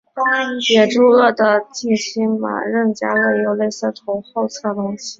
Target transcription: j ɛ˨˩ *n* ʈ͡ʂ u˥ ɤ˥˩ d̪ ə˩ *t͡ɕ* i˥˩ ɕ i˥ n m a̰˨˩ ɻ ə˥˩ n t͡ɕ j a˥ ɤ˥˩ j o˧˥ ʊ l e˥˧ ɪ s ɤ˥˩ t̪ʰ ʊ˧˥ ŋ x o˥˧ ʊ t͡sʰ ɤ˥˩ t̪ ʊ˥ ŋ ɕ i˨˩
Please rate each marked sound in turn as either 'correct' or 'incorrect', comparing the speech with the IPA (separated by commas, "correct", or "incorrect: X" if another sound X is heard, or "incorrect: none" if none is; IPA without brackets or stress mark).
incorrect: none, correct